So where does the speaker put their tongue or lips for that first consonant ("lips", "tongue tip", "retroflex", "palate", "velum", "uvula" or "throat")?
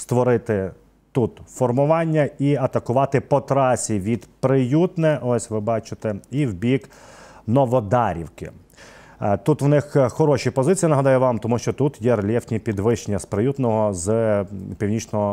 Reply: tongue tip